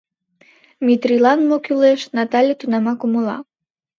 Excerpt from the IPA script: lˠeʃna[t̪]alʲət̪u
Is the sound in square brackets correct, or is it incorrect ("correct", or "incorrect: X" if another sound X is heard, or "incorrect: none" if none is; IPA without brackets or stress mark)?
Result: correct